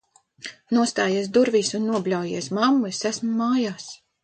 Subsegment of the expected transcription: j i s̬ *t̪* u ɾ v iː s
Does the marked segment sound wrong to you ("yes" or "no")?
yes